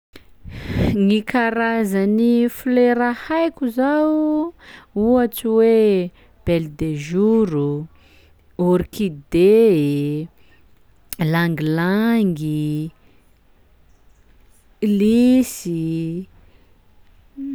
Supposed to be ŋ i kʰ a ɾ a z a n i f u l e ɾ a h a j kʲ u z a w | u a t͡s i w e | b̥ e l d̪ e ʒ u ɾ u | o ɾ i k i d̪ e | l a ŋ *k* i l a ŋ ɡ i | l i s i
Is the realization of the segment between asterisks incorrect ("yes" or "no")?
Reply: yes